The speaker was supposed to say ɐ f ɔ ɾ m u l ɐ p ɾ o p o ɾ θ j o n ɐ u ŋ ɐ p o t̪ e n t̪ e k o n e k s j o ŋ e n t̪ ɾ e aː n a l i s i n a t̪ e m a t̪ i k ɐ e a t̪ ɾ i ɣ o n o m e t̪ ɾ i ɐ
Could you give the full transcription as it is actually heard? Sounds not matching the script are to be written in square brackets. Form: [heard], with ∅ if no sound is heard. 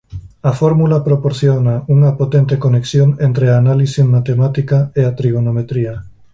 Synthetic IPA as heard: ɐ f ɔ ɾ m u l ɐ p ɾ o p o ɾ θ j o n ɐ u ŋ ɐ p o t̪ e n t̪ e k o n e k s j o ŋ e n t̪ ɾ e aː n a l i s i [m] a t̪ e m a t̪ i k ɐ e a t̪ ɾ i ɣ o n o m e t̪ ɾ i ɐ